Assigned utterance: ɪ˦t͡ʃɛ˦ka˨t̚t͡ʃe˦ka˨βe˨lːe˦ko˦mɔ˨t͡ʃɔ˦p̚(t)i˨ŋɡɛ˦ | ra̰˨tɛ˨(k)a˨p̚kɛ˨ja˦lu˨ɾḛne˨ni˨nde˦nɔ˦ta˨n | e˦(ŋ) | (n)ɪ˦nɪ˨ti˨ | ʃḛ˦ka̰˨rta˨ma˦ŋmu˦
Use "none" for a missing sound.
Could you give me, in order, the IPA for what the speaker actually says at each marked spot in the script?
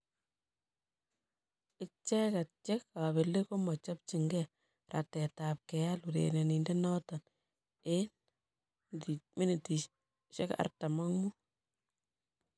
t͡ʃ, t, n, m

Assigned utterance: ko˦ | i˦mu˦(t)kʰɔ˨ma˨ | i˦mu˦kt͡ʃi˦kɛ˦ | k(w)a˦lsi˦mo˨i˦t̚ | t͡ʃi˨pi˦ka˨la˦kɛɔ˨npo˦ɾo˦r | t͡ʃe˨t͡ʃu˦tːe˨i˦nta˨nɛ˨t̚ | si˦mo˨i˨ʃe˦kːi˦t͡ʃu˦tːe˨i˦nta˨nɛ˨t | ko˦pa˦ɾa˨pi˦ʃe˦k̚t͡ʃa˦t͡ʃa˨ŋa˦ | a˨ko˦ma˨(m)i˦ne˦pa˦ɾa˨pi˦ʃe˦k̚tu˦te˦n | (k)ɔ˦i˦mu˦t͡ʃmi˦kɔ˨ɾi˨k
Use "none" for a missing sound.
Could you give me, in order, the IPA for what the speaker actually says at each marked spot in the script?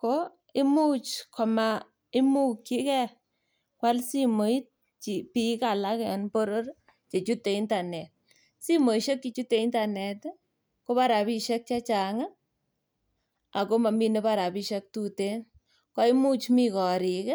t͡ʃ, w, m, k

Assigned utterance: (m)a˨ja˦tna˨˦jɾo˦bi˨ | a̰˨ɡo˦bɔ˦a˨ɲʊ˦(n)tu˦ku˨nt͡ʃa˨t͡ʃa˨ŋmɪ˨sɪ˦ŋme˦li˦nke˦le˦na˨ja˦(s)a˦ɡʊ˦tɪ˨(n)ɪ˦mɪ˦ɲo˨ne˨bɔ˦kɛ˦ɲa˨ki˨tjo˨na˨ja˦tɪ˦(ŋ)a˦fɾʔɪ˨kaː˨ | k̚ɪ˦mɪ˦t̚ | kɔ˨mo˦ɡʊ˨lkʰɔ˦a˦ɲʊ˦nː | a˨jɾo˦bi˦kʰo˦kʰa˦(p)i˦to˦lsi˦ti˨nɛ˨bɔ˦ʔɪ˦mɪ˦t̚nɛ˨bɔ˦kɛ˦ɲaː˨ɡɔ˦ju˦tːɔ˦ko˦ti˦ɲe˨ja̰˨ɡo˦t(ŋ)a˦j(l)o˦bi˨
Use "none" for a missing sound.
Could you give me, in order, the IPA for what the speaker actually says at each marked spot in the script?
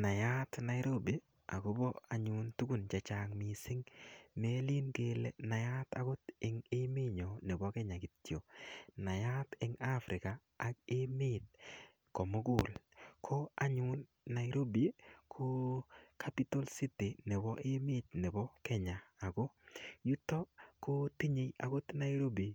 n, n, t, ŋ, ŋ, p, n, ɾ

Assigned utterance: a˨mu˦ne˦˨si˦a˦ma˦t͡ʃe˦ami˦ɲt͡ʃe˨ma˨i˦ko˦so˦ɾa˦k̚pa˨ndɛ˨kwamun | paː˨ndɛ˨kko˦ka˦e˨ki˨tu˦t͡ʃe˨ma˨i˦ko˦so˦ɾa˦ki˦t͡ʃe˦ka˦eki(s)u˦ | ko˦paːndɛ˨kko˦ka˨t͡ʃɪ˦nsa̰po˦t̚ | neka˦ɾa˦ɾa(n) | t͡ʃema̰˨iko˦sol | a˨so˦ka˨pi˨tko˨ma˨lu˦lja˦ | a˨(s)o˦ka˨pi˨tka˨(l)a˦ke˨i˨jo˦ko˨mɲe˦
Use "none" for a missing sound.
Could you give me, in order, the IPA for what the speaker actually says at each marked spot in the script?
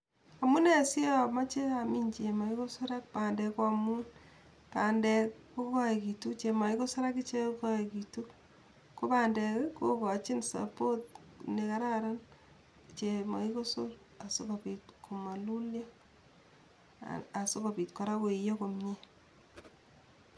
t, n, s, ɾ

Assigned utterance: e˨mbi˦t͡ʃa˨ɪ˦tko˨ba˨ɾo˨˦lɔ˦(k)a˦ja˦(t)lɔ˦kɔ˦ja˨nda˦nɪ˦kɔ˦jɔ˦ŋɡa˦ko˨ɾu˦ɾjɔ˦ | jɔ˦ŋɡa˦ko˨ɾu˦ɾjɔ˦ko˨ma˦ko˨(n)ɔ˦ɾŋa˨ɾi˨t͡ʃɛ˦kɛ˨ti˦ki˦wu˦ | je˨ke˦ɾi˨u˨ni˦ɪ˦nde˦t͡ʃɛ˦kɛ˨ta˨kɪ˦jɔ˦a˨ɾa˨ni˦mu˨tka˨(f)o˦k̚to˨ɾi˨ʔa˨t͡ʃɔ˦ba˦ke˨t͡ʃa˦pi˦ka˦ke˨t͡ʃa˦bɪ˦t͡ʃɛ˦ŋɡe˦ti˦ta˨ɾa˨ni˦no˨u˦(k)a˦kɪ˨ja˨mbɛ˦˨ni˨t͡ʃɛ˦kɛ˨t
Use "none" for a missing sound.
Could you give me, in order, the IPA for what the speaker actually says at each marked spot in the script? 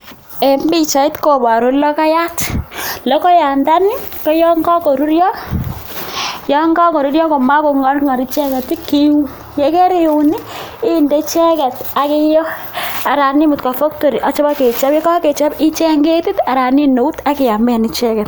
k, t, ŋ, f, t

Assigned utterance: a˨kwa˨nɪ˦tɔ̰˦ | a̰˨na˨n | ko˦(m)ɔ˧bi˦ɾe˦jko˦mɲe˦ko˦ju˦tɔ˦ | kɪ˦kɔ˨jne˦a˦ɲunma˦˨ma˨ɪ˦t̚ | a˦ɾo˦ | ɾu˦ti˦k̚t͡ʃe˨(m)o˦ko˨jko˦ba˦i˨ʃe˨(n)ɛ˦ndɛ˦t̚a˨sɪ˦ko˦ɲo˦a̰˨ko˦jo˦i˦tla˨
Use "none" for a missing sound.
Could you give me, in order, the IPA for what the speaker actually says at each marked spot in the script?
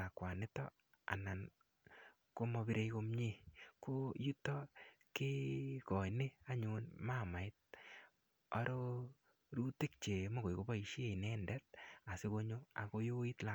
m, m, n

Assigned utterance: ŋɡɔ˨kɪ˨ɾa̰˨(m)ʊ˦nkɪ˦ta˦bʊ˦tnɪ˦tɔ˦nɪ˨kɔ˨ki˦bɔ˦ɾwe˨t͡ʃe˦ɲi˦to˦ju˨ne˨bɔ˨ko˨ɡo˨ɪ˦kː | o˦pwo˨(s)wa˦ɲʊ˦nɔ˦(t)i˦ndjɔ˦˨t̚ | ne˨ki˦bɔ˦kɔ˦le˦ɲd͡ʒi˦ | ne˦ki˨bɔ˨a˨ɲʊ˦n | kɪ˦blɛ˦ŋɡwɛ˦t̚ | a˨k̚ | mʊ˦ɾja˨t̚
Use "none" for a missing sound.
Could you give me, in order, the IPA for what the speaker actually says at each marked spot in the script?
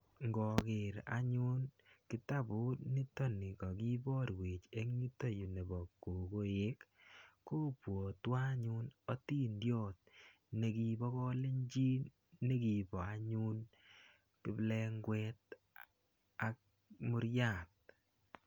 ɲ, t, t

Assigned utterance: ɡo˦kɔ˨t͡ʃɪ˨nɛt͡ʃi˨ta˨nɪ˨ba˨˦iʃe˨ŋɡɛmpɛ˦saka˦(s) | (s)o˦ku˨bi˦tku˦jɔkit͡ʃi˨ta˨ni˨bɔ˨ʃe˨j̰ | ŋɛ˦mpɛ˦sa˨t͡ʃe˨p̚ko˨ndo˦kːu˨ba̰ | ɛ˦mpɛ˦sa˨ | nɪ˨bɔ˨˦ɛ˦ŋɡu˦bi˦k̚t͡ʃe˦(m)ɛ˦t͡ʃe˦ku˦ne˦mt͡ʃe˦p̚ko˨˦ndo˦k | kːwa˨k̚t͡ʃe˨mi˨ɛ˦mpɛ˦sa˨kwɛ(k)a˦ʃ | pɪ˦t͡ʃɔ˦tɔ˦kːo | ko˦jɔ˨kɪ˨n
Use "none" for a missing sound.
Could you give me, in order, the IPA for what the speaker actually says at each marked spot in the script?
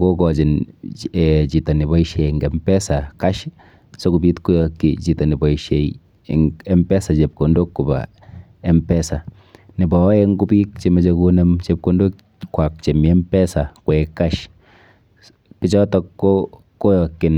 ʃ, s, m, k

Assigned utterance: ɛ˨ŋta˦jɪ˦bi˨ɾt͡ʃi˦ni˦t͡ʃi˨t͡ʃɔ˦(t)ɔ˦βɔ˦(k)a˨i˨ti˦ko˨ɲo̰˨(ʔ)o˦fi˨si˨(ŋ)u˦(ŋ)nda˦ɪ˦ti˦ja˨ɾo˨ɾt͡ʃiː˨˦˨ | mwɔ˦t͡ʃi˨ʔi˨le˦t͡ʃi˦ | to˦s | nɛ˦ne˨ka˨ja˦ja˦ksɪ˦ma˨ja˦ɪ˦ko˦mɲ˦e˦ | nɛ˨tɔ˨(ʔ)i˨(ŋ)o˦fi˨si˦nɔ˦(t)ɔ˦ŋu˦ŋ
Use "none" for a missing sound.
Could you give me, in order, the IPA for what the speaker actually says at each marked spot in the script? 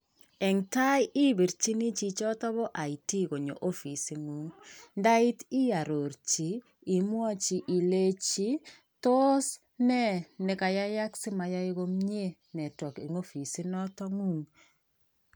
t, ʔ, ʔ, ŋ, ŋ, k, ŋ, t

